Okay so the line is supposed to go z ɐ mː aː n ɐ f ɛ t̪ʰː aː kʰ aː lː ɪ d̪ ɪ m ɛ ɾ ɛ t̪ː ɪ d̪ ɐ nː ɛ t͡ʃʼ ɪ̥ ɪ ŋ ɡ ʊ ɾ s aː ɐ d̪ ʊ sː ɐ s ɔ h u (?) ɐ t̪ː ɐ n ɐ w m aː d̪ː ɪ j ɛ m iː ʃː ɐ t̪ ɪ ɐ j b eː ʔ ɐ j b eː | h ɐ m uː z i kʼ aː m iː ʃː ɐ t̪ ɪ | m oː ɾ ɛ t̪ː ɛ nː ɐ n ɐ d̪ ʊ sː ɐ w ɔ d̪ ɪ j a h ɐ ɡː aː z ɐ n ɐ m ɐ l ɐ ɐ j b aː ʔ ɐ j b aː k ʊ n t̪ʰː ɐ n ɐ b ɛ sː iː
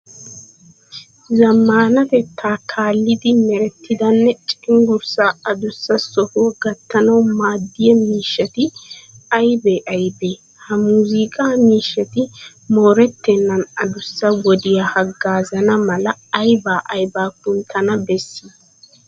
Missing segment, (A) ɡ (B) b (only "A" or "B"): A